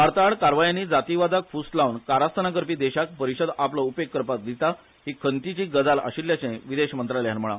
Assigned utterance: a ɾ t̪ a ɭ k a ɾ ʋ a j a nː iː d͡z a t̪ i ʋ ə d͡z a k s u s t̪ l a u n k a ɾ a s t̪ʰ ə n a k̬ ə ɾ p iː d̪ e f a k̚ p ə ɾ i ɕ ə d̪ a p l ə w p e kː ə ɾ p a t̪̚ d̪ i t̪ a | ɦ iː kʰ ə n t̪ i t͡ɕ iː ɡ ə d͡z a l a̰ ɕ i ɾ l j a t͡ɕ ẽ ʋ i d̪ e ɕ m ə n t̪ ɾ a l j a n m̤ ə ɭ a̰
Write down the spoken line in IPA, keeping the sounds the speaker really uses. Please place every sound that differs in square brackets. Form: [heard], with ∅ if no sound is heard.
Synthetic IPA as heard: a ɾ t̪ a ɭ k a ɾ ʋ a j a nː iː d͡z a t̪ i ʋ [a] d͡z a k [f] u s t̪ l a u n k a ɾ a s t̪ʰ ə n a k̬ ə ɾ p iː d̪ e [ɕ] a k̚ p ə ɾ i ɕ ə d̪ a p l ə [u] p e kː ə ɾ p a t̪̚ d̪ i t̪ a | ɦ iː kʰ ə n t̪ i t͡ɕ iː ɡ ə d͡z a l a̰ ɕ i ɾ l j a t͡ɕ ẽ ʋ i d̪ e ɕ m ə n t̪ ɾ a l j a n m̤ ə ɭ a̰